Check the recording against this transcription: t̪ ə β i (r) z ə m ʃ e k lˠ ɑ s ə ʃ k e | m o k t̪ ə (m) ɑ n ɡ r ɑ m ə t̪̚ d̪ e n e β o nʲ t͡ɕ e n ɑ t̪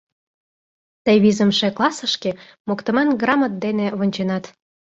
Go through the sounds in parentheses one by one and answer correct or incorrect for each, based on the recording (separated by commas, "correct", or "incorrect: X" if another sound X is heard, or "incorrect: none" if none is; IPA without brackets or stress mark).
incorrect: none, correct